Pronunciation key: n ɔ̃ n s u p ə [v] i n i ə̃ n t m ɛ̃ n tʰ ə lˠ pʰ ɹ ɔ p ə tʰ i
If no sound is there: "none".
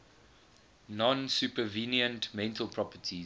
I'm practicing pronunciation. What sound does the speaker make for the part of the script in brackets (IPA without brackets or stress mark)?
v